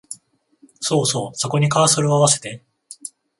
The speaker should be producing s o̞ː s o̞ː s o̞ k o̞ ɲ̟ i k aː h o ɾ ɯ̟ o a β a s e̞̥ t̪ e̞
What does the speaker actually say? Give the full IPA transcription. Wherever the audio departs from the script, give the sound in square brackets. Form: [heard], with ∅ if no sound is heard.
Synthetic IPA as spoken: s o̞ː s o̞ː s o̞ k o̞ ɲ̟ i k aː [s] o ɾ ɯ̟ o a β a s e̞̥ t̪ e̞